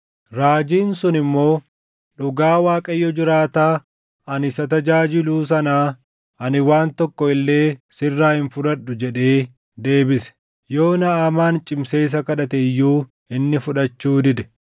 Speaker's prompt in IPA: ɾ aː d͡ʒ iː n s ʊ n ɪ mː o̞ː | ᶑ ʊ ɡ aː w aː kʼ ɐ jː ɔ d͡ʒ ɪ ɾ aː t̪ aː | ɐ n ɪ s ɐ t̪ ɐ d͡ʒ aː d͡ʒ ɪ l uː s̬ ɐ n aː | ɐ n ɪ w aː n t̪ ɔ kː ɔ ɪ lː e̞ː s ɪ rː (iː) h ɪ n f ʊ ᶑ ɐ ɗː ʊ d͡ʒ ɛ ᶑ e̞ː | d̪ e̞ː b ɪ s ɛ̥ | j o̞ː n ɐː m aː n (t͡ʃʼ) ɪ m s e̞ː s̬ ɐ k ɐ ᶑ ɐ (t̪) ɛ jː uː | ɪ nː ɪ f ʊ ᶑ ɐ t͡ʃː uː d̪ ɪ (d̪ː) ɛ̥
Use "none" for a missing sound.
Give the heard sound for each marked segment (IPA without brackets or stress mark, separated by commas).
aː, t͡ʃʼ, t̪, d̪